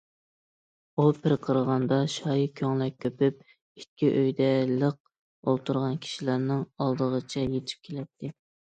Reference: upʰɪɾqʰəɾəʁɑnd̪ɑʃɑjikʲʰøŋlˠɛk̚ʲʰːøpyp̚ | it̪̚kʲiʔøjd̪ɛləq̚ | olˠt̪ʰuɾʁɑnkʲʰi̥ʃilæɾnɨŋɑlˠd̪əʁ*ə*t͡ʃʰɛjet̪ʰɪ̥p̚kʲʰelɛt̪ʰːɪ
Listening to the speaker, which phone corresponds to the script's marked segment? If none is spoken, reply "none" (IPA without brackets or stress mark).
ə